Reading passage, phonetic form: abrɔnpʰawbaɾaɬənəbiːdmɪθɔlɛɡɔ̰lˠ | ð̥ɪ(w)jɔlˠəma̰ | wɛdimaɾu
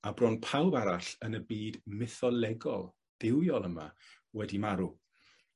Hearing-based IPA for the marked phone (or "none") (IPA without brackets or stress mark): w